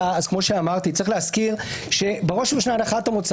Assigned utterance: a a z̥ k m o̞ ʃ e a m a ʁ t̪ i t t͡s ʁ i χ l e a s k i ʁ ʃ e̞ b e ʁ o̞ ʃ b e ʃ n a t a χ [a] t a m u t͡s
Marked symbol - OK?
yes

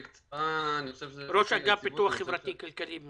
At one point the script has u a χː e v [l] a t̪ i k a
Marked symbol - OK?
no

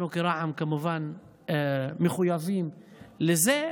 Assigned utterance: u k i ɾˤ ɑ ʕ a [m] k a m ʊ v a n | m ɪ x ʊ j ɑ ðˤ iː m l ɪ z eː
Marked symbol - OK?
yes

